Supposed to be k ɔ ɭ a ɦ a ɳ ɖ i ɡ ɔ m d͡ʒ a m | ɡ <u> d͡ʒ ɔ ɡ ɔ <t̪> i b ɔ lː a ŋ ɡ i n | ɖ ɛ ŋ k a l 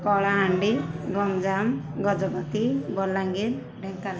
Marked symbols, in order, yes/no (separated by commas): no, yes